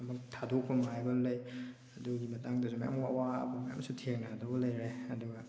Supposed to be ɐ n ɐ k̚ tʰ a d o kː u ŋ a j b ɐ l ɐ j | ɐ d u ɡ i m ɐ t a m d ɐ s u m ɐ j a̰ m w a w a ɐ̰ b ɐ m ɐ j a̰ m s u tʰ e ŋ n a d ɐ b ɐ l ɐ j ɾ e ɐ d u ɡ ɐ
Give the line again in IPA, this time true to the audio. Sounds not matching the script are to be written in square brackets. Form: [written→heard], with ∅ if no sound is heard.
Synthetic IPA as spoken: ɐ [n→m] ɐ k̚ tʰ a d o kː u [ŋ→m] a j b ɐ l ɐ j | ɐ d u ɡ i m ɐ t a [m→ŋ] d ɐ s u m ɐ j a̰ m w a w a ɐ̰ b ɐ m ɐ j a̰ m s u tʰ e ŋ n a d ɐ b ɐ l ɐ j ɾ e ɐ d u ɡ ɐ